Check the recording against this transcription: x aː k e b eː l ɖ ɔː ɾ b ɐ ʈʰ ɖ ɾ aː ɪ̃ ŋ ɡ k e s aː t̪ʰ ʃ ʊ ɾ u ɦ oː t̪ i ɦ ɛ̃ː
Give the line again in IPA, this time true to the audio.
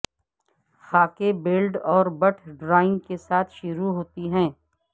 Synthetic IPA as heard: x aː k e b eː l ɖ ɔː ɾ b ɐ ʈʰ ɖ ɾ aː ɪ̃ ŋ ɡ k e s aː t̪ʰ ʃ ʊ ɾ u ɦ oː t̪ i ɦ ɛ̃ː